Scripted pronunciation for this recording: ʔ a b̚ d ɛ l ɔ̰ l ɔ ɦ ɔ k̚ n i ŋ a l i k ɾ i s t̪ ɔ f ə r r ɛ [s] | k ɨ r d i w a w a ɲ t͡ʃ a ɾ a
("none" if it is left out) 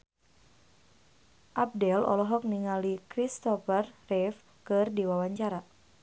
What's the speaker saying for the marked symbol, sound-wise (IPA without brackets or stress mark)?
f